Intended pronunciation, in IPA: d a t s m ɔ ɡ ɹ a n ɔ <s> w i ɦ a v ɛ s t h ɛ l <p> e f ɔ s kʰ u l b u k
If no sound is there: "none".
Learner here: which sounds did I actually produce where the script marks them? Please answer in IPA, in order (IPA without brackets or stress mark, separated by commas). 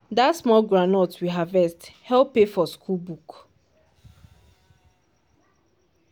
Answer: t, p